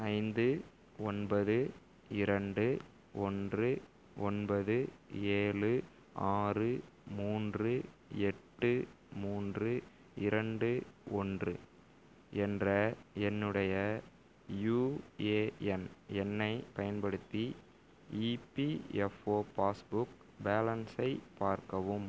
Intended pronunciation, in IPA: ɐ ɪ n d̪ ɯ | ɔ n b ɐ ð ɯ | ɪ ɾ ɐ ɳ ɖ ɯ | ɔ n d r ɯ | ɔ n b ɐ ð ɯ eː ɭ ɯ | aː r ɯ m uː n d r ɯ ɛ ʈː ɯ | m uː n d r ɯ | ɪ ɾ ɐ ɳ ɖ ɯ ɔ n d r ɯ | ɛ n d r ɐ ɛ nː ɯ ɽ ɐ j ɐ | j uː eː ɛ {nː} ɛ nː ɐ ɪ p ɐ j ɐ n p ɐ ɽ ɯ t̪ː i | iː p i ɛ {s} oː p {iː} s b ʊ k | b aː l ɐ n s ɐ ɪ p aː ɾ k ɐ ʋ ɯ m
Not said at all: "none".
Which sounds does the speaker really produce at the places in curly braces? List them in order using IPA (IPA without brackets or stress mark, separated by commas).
n, f, aː